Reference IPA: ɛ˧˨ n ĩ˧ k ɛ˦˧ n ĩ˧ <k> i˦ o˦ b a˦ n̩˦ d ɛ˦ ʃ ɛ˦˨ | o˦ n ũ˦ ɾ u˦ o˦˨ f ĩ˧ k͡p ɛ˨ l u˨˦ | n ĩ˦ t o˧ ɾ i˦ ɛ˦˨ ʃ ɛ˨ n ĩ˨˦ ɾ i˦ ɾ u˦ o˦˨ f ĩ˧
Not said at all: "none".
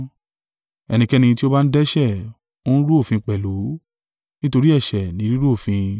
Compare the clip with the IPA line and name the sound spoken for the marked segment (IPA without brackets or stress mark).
t